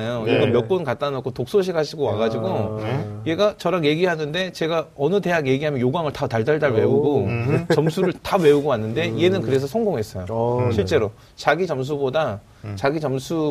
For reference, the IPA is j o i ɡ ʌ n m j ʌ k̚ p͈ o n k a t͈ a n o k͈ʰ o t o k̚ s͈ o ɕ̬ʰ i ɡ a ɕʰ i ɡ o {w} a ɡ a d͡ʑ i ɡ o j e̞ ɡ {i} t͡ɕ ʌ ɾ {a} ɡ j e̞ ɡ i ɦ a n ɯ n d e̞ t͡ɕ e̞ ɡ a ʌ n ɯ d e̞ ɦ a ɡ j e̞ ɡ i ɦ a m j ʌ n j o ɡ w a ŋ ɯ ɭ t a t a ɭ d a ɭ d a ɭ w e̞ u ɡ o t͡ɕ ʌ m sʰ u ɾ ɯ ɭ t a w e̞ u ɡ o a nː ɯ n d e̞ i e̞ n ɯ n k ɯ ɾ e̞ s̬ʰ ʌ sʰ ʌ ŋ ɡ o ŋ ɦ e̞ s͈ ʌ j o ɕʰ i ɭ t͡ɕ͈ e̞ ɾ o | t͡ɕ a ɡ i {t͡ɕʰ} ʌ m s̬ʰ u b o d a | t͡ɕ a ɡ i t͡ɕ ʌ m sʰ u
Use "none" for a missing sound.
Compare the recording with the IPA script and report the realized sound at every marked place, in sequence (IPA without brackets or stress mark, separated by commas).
w, a, a, t͡ɕ